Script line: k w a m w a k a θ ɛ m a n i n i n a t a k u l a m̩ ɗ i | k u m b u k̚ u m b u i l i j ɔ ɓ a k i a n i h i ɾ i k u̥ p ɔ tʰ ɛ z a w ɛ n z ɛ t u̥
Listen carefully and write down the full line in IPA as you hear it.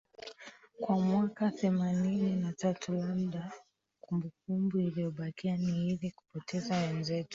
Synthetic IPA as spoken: k w a m w a k a θ ɛ m a n i n i n a t a t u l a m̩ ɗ a | k u m b u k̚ u m b u i l i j ɔ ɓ a k i a n i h i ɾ i k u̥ p ɔ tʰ ɛ z a w ɛ n z ɛ t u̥